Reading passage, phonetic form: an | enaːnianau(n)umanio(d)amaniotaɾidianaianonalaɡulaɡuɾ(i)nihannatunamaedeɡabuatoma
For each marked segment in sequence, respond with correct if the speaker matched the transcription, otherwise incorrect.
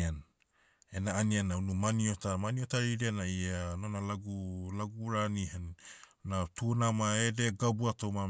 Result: correct, incorrect, incorrect

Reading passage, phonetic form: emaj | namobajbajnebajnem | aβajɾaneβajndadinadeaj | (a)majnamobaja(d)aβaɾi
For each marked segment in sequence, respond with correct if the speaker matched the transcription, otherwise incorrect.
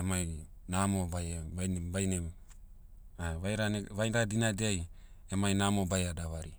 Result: incorrect, correct

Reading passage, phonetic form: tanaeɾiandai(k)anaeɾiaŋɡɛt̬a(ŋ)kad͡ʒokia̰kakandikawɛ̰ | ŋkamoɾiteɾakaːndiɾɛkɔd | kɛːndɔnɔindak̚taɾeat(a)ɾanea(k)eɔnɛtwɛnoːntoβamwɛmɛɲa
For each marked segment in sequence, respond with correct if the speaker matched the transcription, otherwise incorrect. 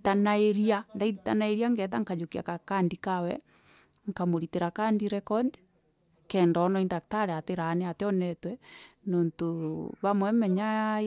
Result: incorrect, correct, incorrect, incorrect

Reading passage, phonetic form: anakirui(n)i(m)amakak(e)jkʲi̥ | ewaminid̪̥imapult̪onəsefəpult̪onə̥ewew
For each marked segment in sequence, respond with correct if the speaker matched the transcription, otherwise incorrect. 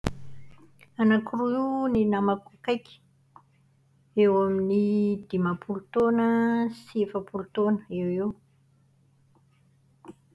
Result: correct, incorrect, incorrect

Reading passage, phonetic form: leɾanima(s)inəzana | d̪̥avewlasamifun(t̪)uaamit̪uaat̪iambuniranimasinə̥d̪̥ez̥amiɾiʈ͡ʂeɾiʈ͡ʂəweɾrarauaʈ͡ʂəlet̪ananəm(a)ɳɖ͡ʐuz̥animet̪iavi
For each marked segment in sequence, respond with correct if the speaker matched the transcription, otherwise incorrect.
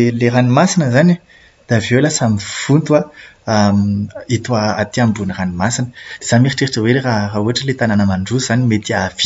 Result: correct, correct, correct

